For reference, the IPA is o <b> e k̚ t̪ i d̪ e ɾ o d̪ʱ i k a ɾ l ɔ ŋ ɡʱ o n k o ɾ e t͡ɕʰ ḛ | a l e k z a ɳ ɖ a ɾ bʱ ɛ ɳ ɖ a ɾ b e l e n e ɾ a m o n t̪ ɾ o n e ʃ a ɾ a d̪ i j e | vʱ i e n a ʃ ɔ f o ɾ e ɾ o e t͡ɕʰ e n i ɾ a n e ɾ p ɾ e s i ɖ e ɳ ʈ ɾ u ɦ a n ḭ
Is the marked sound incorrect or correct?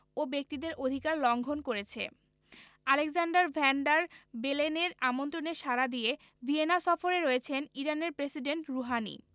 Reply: correct